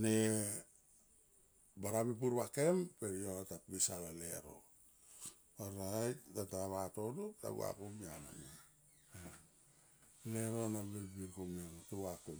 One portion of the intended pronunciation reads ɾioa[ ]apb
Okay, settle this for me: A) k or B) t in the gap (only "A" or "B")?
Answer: B